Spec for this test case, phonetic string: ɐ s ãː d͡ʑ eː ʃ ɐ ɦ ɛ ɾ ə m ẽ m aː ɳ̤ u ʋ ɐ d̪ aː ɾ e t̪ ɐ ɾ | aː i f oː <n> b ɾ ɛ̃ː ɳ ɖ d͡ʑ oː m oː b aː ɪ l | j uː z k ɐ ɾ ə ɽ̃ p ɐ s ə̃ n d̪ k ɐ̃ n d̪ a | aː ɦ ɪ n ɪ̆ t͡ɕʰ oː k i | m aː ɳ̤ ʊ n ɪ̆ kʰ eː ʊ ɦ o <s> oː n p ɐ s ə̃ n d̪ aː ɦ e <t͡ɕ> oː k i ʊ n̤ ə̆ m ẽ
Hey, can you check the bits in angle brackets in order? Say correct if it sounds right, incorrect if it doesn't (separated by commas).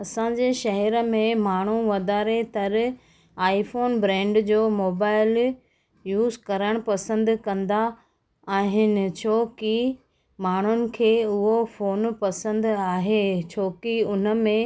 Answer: correct, incorrect, incorrect